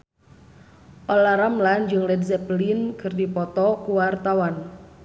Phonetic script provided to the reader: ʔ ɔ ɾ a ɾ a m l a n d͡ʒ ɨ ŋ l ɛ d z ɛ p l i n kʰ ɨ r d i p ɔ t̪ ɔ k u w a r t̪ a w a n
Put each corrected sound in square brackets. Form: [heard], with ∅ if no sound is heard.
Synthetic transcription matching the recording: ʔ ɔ [l] a ɾ a m l a n d͡ʒ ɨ ŋ l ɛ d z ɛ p l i n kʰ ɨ r d i p ɔ t̪ ɔ k u w a r t̪ a w a n